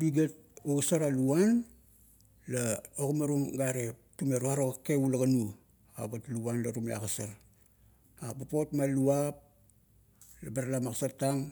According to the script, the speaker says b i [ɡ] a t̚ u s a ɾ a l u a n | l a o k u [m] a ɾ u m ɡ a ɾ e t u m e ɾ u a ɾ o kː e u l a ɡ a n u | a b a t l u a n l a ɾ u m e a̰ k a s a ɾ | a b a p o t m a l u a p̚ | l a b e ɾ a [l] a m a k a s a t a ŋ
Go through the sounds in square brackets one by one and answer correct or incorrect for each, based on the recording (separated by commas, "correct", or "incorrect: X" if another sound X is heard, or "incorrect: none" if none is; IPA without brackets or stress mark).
correct, correct, correct